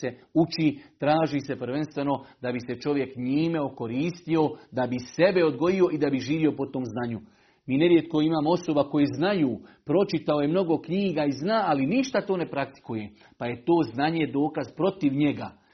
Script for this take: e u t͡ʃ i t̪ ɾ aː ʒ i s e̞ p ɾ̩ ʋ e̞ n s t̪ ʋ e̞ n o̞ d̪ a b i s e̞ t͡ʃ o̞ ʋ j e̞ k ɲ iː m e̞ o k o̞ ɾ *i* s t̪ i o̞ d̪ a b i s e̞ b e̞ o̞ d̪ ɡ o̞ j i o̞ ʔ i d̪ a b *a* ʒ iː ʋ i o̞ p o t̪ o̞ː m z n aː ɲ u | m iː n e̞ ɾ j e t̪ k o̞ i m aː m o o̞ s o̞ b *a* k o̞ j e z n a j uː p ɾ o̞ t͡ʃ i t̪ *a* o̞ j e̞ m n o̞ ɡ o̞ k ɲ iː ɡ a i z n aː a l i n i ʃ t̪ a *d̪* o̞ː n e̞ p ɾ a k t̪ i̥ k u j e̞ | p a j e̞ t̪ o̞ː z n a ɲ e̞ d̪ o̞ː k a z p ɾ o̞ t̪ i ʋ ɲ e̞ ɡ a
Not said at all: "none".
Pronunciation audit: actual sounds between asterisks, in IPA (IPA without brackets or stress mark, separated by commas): iː, i, a, a, t̪